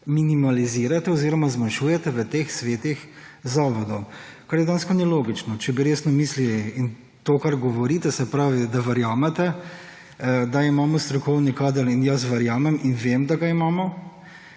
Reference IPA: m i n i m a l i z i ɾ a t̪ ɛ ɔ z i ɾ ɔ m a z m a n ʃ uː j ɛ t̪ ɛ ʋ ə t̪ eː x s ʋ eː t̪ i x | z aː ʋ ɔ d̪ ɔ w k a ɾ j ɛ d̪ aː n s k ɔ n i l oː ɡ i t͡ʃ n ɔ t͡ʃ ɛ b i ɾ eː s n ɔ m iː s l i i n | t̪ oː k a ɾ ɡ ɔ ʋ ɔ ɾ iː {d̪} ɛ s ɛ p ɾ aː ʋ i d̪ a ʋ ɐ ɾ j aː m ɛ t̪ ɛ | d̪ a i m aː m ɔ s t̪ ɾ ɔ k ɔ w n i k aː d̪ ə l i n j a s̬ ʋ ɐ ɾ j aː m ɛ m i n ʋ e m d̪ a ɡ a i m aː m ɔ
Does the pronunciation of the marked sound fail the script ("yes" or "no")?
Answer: yes